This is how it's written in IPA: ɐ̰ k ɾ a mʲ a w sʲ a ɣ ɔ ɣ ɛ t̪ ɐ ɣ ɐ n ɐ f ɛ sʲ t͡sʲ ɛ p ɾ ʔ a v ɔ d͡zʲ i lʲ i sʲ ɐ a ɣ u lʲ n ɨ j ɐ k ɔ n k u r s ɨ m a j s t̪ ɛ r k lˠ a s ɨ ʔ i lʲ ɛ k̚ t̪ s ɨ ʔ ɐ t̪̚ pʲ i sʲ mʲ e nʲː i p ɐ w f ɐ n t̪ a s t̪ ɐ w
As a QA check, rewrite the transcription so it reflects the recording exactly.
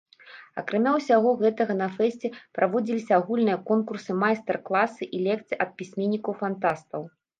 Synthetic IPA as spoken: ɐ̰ k ɾ a mʲ a w sʲ a ɣ ɔ ɣ ɛ t̪ ɐ ɣ ɐ n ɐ f ɛ sʲ t͡sʲ ɛ p ɾ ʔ a v ɔ d͡zʲ i lʲ i sʲ ɐ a ɣ u lʲ n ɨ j ɐ k ɔ n k u r s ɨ m a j s t̪ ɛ r k lˠ a s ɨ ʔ i lʲ ɛ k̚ t̪ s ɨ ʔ ɐ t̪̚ pʲ i sʲ mʲ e nʲː i k ɐ w f a n t̪ a s t̪ ɐ w

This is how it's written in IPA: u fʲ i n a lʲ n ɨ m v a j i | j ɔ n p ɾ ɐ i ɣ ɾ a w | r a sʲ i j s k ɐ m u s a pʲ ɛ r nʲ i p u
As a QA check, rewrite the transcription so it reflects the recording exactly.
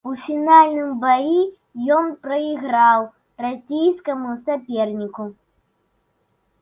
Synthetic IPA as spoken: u fʲ i n a lʲ n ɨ m b a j i | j ɔ n p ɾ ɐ i ɣ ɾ a w | r a sʲ i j s k ɐ m u s a pʲ ɛ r nʲ i k u

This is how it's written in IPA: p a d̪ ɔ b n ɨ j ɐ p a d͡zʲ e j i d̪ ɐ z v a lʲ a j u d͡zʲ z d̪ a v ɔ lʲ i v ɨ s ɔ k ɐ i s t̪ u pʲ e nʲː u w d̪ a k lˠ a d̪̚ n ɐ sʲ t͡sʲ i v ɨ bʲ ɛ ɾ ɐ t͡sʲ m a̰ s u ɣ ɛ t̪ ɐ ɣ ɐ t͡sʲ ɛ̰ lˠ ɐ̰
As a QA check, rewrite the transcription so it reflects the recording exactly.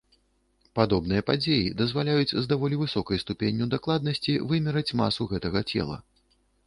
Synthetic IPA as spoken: p a d̪ ɔ b n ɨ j ɐ p a d͡zʲ e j i d̪ ɐ z v a lʲ a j u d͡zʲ z d̪ a v ɔ lʲ i v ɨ s ɔ k ɐ j s t̪ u pʲ e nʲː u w d̪ a k lˠ a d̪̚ n ɐ sʲ t͡sʲ i v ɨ mʲ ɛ ɾ ɐ t͡sʲ m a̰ s u ɣ ɛ t̪ ɐ ɣ ɐ t͡sʲ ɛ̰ lˠ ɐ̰

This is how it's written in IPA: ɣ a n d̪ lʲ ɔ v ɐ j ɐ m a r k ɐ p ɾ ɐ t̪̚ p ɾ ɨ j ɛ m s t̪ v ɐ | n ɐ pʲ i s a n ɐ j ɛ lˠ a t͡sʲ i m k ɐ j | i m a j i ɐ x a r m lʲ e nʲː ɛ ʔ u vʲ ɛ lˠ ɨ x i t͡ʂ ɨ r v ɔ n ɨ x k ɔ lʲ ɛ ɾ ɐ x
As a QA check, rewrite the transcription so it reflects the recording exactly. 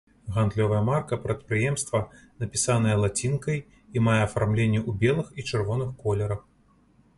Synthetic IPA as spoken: ɣ a n d̪ lʲ ɔ v ɐ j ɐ m a r k ɐ p ɾ ɐ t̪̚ p ɾ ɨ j ɛ m s t̪ v ɐ | n ɐ pʲ i s a n ɐ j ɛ lˠ a t͡sʲ i n k ɐ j | i m a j ɛ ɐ f a r m lʲ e nʲː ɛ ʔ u bʲ ɛ lˠ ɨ x i t͡ʂ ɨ r v ɔ n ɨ x k ɔ lʲ ɛ ɾ ɐ x

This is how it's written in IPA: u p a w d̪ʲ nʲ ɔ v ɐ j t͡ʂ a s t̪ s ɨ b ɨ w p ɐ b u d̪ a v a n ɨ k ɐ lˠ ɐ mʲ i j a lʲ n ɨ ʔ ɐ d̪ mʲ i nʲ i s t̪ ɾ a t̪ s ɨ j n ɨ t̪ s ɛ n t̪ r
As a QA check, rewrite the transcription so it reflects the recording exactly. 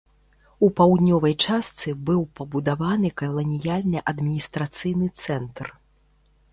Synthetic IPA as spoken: u p a w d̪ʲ nʲ ɔ v ɐ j t͡ʂ a s t̪ s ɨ b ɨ w p ɐ b u d̪ a v a n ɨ k ɐ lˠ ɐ nʲ i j a lʲ n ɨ ʔ ɐ d̪ mʲ i nʲ i s t̪ ɾ a t̪ s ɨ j n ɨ t̪ s ɛ n t̪ r

